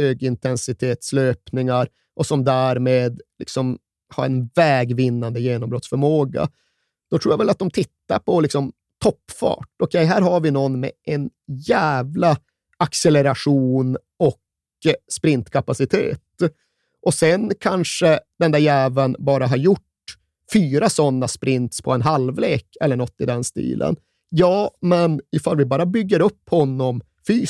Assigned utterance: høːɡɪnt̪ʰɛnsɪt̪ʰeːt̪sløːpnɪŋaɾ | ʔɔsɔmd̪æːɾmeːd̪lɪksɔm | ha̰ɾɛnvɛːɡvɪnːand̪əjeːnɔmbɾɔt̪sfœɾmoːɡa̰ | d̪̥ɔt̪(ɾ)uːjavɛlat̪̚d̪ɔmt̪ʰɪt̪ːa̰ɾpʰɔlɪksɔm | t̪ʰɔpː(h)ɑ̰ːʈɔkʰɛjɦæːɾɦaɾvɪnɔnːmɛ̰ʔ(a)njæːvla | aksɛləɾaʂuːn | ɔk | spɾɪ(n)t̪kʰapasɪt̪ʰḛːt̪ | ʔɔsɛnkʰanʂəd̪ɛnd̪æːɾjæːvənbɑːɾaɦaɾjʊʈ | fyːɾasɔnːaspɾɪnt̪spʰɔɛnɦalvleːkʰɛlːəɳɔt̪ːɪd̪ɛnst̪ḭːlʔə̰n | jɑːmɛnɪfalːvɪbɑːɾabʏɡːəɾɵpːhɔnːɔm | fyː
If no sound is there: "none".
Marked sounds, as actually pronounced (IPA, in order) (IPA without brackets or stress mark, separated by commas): ɾ, f, ɛ, n